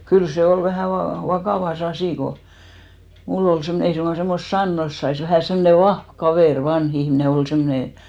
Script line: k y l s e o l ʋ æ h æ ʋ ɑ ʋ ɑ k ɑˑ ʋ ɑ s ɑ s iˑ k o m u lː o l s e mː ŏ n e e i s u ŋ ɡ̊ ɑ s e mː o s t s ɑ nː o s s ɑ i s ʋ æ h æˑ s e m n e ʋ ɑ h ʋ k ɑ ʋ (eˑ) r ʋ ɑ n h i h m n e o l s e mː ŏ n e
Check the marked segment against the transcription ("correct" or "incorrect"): correct